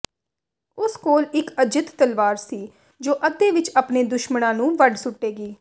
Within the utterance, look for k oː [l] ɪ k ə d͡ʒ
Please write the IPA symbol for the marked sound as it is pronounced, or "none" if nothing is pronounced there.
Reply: l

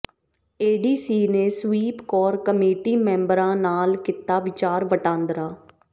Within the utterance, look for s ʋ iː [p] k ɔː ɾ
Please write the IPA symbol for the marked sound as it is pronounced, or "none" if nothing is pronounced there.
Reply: p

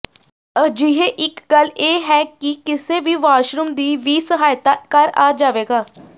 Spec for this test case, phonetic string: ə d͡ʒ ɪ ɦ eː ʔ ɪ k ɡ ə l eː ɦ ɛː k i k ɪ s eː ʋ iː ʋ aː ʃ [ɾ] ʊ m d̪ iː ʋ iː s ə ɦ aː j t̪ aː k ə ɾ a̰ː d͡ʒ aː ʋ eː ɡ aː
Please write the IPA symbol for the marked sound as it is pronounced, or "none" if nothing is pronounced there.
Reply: ɾ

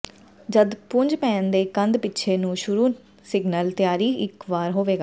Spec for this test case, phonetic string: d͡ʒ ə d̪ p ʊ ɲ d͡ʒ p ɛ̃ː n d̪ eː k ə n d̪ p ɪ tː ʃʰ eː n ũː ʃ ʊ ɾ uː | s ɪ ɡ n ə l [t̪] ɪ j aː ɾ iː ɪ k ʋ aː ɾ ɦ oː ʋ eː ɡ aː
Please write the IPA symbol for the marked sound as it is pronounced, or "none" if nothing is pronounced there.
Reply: t̪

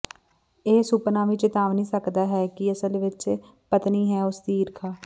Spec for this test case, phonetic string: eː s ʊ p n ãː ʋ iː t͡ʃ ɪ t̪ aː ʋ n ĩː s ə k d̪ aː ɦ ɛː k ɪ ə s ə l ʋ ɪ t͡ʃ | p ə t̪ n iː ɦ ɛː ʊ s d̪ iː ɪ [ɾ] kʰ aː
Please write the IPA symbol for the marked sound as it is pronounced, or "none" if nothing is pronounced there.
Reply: ɾ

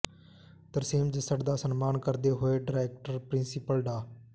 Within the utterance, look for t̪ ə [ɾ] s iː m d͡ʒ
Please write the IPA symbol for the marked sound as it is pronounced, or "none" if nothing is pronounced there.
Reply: ɾ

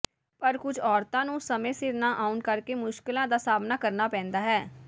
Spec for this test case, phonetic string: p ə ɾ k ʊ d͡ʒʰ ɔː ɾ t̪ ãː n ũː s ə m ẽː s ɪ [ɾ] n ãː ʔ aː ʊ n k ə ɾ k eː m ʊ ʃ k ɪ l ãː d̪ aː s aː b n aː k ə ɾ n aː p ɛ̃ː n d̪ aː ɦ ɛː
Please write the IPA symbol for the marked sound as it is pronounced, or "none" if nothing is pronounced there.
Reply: ɾ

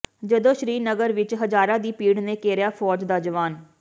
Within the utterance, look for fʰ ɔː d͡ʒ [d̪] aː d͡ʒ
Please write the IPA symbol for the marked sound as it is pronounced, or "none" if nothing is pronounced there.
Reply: d̪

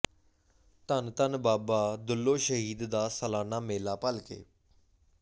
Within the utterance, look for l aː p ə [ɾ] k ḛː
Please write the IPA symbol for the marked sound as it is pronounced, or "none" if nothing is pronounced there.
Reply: l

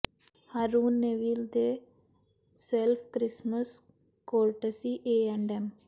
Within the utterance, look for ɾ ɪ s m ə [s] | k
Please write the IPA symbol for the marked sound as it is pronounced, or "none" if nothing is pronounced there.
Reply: s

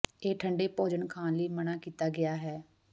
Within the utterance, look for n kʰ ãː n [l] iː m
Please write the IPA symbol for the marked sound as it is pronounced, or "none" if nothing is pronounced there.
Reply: l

